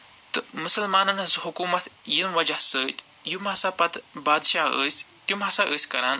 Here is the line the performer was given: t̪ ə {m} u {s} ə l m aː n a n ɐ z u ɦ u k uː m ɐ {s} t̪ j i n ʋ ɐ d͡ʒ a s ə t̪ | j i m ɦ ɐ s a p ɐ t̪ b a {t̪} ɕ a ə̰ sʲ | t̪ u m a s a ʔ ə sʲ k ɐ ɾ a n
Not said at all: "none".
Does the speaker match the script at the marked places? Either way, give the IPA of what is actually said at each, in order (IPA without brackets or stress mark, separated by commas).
m, s, none, d̪